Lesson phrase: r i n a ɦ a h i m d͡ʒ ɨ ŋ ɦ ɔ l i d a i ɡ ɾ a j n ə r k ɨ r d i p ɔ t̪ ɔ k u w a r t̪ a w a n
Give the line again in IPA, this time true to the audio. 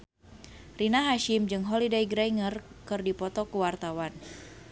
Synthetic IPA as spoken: r i n a ɦ a ʃ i m d͡ʒ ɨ ŋ ɦ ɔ l i d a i ɡ ɾ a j ŋ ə r k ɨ r d i p ɔ t̪ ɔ k u w a r t̪ a w a n